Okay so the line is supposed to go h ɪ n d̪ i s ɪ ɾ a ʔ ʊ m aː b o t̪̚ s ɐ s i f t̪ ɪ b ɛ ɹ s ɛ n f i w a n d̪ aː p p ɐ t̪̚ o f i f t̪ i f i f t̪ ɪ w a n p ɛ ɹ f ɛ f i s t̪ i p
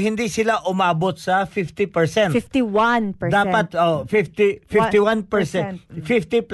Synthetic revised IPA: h ɪ n d̪ i s ɪ l a ʔ ʊ m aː b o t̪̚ s ɐ f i f t̪ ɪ p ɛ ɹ s ɛ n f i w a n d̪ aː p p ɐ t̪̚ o f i f t̪ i f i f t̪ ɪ w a n p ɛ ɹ s ɛ f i f t̪ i p